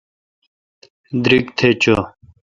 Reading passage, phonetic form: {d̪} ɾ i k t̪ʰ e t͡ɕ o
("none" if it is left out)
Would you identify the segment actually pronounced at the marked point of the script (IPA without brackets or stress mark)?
d̪